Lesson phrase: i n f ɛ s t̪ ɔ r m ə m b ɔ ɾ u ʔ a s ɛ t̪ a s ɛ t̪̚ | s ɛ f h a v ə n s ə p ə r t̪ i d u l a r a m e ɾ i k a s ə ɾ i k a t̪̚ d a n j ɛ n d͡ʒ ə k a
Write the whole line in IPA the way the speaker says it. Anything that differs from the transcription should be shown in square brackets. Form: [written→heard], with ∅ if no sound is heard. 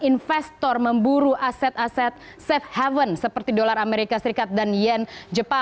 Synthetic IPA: i n f ɛ s t̪ ɔ r m ə m b [ɔ→u] ɾ u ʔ a s ɛ t̪ a s ɛ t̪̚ | s ɛ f h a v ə n s ə p ə r t̪ i d [u→o] l a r a m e ɾ i k a s ə ɾ i k a t̪̚ d a n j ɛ n d͡ʒ ə [k→p] a